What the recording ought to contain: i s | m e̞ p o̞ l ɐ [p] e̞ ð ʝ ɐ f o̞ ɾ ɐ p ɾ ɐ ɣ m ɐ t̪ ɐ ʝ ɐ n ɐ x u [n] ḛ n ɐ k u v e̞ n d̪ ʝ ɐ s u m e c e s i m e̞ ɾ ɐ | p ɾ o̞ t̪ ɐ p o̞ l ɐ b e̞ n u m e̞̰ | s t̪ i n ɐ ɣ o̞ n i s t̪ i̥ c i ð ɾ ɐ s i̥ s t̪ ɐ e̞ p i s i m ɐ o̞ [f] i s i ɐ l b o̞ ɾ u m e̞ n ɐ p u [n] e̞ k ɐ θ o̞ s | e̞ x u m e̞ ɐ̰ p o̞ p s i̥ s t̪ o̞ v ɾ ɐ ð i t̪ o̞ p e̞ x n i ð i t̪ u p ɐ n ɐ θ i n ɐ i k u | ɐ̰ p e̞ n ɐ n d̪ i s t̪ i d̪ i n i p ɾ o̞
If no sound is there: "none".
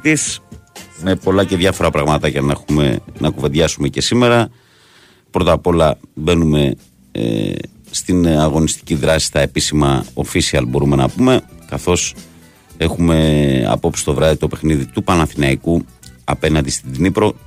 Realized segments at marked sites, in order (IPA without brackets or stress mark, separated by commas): c, m, f, m